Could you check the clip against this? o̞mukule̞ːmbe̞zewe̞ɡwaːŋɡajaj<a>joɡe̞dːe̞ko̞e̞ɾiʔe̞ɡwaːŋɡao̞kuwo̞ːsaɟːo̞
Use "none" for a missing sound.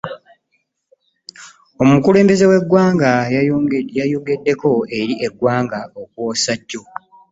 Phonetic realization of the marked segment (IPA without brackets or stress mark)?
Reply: a